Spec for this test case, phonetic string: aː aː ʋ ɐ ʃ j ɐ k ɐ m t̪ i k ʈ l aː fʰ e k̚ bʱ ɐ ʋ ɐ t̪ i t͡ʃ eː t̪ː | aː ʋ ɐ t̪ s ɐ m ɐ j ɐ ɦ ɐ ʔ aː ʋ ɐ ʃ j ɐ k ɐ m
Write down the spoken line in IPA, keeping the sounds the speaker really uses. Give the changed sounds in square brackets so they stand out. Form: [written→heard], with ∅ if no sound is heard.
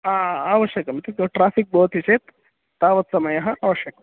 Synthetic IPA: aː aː ʋ ɐ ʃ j ɐ k ɐ m t̪ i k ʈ [l→ɾ] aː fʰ [e→i] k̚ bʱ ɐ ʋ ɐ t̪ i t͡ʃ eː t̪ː | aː ʋ ɐ t̪ s ɐ m ɐ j ɐ ɦ ɐ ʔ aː ʋ ɐ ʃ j ɐ k ɐ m